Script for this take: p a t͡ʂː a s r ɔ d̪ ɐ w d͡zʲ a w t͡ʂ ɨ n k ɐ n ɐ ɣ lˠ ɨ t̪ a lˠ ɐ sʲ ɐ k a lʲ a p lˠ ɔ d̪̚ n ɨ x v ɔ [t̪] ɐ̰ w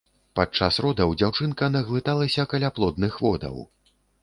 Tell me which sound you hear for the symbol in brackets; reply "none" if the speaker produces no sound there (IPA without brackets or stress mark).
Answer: d̪